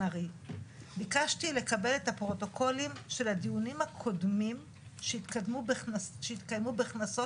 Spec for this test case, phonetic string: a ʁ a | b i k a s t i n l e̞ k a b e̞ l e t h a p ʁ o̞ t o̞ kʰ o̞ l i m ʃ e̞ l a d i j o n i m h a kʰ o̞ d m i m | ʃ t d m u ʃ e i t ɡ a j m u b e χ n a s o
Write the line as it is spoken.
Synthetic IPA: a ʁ i | b i k a ʃ t i l e̞ k a b e̞ l e t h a p ʁ o̞ t o̞ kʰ o̞ l i m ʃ e̞ l a d i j u n i m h a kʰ o̞ d m i m | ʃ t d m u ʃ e i t k a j m u b e χ n a s o